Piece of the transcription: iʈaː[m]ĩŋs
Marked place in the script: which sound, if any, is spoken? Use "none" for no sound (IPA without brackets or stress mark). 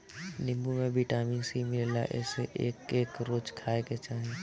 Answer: m